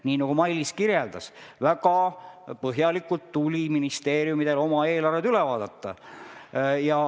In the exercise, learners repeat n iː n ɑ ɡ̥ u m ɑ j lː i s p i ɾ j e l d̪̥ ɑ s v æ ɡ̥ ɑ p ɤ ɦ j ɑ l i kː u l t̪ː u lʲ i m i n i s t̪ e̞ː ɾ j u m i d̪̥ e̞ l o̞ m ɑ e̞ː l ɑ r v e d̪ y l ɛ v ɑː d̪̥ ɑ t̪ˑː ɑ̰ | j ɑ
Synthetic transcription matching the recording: n iː n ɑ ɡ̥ u m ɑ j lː i s k i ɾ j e l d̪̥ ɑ s v æ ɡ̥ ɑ p ɤ ɦ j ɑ l i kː u l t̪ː u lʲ i m i n i s t̪ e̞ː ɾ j u m i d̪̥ e̞ l o̞ m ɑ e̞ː l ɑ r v e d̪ y l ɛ v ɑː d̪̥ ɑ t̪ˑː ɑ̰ | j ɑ